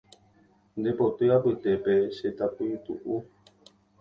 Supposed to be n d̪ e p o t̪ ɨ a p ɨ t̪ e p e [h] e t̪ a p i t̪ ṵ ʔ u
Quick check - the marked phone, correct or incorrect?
incorrect